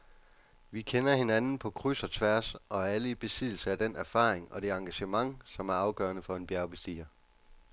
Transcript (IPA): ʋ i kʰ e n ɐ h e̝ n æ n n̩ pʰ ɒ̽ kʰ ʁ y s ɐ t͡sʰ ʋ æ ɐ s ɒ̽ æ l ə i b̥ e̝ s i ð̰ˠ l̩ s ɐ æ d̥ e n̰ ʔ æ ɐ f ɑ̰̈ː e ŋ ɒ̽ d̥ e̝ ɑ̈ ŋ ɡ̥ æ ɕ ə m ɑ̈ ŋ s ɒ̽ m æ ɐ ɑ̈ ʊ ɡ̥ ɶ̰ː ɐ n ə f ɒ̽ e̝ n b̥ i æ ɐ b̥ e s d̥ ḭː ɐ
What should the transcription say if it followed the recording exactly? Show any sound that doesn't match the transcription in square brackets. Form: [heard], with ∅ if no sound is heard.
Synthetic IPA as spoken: ʋ i kʰ e n ɐ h e̝ n æ n n̩ pʰ ɒ̽ kʰ ʁ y s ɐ t͡sʰ ʋ æ ɐ s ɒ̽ æ l ə i b̥ e̝ s i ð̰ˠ l̩ s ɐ æ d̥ e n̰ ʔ æ ɐ f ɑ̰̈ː e ŋ ɒ̽ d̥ e̝ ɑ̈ ŋ ɡ̥ æ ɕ ə m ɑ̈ ŋ s ɒ̽ m æ ɐ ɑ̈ ʊ ɡ̥ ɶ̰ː ɐ n ə f ɒ̽ e̝ n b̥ [j] æ ɐ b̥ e s d̥ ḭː ɐ